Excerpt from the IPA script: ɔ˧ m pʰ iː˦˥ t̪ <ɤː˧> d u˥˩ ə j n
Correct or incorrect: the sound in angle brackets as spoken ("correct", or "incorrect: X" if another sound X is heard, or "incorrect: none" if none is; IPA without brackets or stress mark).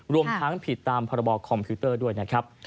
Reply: incorrect: ɤː˥˩